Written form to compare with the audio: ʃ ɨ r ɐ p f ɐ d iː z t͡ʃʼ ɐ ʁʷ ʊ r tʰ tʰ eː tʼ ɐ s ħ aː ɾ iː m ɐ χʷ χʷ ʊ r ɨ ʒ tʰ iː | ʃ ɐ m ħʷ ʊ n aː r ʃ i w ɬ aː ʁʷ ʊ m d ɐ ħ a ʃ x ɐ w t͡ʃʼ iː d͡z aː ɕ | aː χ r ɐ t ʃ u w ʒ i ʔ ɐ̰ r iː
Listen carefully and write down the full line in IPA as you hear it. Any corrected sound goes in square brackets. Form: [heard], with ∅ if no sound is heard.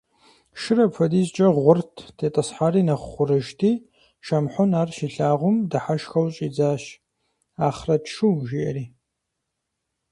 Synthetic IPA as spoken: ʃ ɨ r ɐ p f ɐ d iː z t͡ʃʼ ɐ ʁʷ ʊ r tʰ tʰ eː tʼ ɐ s ħ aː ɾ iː [n] ɐ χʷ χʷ ʊ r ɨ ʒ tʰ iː | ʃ ɐ m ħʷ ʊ n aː r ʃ i [∅] ɬ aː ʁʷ ʊ m d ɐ ħ a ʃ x ɐ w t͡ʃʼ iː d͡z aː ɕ | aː χ r ɐ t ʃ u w ʒ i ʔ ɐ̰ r iː